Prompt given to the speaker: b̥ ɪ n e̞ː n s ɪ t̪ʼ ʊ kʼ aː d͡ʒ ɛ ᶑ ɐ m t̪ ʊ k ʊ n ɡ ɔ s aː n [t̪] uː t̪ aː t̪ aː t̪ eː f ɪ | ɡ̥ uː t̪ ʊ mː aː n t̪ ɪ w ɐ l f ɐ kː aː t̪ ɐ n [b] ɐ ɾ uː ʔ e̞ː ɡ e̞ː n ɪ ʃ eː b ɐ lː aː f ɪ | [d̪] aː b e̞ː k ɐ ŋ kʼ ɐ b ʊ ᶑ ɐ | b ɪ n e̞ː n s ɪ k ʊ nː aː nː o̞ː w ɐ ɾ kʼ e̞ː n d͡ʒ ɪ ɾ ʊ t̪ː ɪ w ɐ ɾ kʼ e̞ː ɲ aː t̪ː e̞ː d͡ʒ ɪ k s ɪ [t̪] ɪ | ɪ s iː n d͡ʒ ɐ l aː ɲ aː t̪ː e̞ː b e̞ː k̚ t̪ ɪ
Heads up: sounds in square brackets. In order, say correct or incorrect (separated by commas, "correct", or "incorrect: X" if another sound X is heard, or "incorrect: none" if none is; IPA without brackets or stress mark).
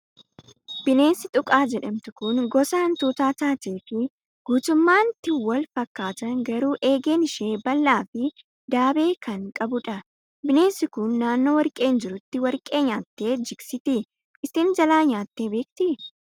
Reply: correct, incorrect: ɡ, correct, correct